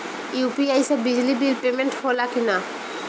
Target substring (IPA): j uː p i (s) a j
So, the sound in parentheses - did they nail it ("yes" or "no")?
no